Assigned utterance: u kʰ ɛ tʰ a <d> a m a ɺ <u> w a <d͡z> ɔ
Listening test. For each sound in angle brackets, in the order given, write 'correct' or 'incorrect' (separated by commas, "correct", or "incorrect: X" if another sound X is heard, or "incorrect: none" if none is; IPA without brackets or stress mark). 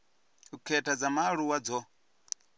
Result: incorrect: d͡z, correct, correct